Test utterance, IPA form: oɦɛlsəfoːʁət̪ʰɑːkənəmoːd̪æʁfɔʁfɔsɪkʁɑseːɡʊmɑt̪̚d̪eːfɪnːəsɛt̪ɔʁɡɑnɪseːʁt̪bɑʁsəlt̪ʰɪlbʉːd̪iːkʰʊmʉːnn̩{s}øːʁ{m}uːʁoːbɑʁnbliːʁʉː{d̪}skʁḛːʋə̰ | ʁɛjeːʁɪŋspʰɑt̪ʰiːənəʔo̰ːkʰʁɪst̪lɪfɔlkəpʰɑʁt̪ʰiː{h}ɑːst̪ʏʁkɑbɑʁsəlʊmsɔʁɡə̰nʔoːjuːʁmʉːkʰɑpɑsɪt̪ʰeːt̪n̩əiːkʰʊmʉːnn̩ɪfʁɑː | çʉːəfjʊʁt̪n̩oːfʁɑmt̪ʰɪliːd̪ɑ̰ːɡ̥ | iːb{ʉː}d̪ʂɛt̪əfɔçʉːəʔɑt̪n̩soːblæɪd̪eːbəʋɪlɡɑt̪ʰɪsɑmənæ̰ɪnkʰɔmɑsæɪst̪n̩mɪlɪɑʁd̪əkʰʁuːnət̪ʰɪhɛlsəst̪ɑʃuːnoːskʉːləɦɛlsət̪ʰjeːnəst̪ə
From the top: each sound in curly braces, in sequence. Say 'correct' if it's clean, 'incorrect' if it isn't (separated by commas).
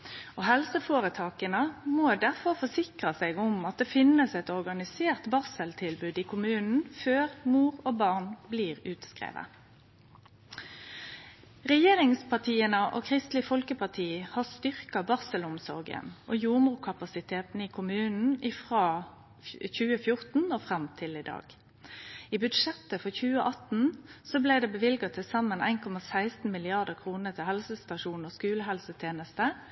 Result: incorrect, correct, incorrect, correct, incorrect